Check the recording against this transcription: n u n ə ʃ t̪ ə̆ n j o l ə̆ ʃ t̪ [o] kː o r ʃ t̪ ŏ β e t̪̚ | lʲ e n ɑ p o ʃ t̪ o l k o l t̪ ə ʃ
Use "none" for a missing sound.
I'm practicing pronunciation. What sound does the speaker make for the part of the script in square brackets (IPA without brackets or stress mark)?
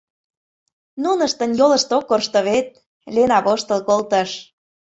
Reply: o